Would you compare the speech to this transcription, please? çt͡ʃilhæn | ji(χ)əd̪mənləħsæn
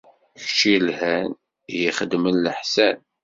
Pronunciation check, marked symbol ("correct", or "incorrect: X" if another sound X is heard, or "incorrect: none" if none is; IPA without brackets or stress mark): correct